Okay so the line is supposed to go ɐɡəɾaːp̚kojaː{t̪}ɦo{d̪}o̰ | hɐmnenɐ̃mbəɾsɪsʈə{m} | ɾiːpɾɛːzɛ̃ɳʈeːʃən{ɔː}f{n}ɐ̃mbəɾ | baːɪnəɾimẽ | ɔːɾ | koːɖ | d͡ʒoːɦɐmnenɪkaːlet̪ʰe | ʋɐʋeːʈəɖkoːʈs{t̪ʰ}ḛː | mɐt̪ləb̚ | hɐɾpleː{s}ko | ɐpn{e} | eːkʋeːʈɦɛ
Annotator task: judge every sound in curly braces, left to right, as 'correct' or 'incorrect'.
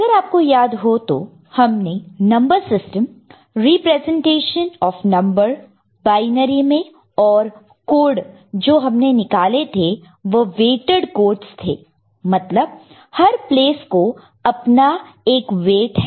incorrect, incorrect, correct, correct, correct, correct, correct, incorrect

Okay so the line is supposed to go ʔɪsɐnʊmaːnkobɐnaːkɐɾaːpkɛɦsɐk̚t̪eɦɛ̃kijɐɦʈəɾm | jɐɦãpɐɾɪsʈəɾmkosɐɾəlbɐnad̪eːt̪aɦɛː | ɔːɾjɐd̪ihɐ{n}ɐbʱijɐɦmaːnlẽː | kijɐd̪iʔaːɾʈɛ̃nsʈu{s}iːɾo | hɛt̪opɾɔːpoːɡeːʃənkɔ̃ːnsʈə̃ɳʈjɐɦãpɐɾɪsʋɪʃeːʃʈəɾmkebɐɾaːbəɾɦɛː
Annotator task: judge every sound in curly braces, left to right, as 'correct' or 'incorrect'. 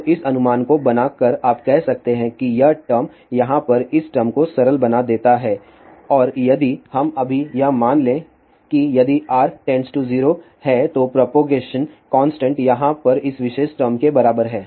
incorrect, incorrect

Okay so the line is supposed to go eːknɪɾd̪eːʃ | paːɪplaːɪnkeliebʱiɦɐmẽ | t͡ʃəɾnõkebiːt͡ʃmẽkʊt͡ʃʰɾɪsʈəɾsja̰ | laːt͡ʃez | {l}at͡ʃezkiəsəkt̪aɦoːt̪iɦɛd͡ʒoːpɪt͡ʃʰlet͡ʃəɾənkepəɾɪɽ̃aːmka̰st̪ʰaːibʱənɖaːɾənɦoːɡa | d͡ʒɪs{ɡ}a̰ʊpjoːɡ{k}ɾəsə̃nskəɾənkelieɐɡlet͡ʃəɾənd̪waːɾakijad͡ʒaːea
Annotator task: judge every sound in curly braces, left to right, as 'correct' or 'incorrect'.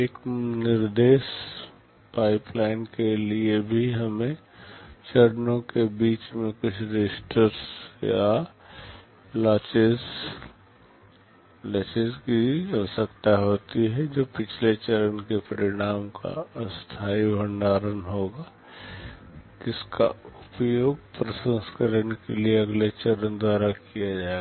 correct, incorrect, incorrect

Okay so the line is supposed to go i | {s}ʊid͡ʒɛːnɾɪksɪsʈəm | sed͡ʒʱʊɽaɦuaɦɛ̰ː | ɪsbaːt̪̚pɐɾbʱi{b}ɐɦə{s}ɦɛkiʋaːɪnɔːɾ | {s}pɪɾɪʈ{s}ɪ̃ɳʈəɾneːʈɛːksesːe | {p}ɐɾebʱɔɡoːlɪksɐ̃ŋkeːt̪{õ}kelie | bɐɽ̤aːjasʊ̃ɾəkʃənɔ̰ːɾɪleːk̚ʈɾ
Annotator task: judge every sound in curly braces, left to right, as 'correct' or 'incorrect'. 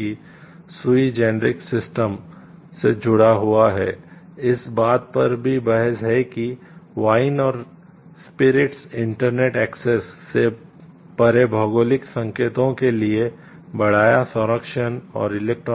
correct, correct, correct, correct, correct, correct, correct

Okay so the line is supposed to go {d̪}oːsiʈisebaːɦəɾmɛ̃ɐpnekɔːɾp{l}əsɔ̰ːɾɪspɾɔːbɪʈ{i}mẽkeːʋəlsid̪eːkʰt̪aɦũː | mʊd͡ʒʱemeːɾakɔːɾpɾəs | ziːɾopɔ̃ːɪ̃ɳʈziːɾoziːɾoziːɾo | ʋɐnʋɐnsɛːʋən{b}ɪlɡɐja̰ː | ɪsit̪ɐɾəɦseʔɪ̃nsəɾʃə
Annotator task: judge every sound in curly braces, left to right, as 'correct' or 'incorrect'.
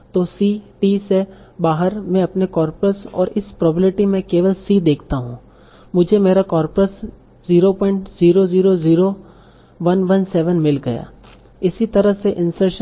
incorrect, incorrect, correct, incorrect

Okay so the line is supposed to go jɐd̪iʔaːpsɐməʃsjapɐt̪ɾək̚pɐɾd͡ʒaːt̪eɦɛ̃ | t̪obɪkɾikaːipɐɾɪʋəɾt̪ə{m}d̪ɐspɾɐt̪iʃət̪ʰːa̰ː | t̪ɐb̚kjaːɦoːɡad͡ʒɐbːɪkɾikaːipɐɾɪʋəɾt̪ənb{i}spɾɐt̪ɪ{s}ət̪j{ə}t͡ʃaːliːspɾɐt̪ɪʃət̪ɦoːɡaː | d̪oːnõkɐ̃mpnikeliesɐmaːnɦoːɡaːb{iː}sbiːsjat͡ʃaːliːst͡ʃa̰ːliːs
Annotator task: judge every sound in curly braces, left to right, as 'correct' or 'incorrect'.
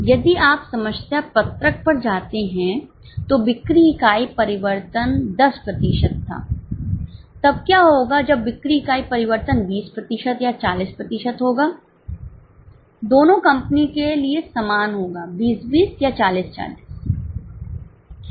incorrect, incorrect, incorrect, incorrect, correct

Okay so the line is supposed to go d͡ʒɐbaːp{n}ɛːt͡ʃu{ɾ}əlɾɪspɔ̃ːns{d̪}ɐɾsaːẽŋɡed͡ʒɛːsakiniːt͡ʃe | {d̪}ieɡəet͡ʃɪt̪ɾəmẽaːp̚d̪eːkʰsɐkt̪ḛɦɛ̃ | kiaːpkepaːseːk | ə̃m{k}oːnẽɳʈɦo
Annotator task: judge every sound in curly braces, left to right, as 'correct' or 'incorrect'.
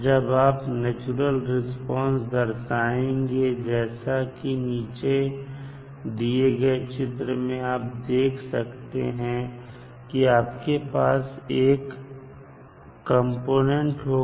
correct, correct, correct, correct, incorrect

